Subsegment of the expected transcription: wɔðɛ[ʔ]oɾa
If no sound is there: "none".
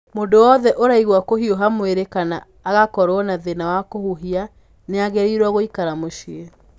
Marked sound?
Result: ʔ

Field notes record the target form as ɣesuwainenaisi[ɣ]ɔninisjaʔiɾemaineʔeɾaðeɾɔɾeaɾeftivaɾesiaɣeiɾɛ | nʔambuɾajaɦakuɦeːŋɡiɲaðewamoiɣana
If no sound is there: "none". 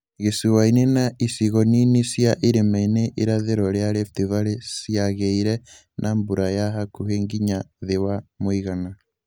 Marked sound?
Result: ɣ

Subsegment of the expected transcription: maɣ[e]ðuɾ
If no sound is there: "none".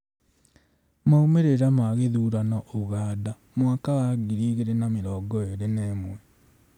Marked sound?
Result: e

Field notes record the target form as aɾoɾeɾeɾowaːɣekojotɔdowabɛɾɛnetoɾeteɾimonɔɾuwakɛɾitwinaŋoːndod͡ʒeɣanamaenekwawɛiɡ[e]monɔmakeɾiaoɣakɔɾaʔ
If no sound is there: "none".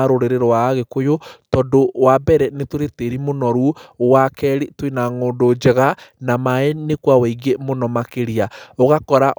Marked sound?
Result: e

